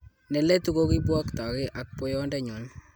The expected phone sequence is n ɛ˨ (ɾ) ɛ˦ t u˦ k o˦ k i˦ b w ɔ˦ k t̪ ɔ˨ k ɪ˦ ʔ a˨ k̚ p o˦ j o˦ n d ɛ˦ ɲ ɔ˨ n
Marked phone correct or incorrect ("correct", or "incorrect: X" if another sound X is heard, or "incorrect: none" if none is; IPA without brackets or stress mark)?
incorrect: l